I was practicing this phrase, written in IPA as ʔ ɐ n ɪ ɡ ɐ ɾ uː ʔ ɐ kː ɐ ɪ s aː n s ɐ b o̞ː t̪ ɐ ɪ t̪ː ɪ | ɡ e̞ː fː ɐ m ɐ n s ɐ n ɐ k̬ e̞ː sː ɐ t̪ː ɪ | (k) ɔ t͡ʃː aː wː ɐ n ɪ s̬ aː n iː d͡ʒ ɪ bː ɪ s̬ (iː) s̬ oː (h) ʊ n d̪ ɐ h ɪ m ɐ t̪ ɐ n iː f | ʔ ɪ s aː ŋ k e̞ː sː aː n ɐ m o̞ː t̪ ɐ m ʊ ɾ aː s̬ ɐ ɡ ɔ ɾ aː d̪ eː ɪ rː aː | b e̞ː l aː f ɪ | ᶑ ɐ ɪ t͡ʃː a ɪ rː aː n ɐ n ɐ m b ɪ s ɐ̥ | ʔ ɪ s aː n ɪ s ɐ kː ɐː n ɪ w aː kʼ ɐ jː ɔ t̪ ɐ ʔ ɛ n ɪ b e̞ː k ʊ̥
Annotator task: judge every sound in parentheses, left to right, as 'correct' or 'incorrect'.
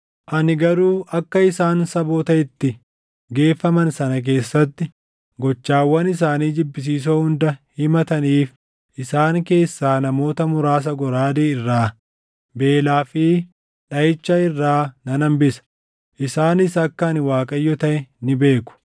incorrect, correct, correct

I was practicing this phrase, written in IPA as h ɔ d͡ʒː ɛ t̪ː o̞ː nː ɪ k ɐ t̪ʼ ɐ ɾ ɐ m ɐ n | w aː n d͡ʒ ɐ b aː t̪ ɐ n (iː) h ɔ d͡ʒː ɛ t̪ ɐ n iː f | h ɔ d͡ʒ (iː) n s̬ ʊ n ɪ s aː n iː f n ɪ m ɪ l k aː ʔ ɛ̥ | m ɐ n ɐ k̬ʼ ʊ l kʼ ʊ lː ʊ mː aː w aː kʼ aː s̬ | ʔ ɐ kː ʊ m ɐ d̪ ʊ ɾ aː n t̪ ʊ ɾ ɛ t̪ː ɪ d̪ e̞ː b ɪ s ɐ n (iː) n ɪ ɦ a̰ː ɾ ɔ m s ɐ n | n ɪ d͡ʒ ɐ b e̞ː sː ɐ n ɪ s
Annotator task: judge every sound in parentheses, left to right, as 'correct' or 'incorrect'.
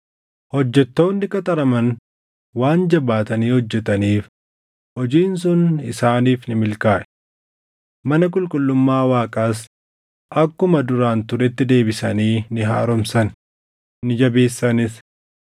correct, correct, correct

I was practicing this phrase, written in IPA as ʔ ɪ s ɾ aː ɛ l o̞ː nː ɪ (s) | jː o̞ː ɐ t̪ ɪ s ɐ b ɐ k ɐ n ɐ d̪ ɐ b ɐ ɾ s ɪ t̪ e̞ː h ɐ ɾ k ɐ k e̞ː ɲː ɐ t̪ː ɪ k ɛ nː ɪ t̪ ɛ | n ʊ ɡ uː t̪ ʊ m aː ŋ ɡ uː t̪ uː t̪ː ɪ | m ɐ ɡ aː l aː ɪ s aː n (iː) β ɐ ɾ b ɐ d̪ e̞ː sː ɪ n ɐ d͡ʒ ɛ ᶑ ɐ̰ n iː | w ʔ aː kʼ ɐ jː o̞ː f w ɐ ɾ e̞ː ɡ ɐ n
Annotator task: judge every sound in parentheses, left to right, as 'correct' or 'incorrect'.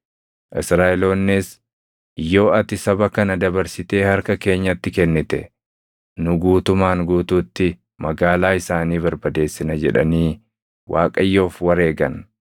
correct, correct

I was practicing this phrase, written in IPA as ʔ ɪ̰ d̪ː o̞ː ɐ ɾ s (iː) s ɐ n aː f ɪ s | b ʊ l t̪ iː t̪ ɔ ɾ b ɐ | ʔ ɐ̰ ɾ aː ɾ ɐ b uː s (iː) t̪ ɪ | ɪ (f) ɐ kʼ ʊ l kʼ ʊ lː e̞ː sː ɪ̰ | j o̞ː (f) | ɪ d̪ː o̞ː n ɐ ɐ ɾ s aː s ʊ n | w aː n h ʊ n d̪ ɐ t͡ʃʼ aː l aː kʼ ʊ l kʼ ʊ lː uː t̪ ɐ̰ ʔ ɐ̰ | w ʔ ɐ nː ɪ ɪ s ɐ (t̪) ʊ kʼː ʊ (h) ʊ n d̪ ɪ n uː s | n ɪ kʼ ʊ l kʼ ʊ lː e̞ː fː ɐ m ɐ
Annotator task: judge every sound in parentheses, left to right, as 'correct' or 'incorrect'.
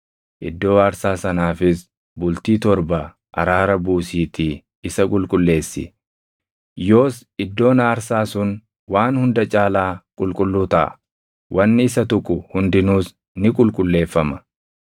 incorrect, correct, incorrect, incorrect, correct, correct

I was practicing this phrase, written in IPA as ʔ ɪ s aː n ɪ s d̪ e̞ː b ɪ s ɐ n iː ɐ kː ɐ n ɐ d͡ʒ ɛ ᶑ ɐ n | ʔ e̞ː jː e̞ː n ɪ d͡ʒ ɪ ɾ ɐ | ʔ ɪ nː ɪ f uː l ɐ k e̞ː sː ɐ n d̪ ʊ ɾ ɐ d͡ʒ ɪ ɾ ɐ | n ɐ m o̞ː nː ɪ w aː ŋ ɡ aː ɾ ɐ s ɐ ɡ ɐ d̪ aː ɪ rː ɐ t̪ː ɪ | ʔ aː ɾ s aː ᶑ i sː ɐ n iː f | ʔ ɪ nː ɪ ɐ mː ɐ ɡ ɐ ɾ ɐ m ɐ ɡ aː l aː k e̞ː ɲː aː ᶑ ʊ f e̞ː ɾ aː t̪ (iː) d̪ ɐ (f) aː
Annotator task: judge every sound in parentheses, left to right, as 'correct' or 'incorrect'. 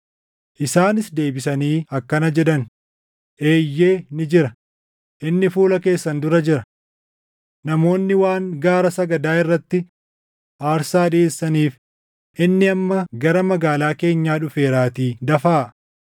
correct, correct

